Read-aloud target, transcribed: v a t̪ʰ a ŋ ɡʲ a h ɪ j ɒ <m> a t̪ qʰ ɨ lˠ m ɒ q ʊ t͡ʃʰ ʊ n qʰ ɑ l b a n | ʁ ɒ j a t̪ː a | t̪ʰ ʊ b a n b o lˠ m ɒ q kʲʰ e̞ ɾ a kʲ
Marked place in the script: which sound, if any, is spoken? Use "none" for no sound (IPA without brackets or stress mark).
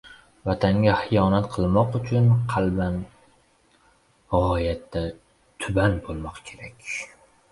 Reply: n